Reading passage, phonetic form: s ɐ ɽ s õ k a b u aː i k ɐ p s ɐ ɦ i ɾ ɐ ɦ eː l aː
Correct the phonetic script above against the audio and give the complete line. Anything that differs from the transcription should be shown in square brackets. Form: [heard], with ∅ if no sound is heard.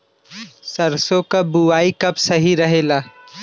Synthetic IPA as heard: s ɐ [ɾ] s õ k a b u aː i k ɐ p s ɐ ɦ i ɾ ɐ ɦ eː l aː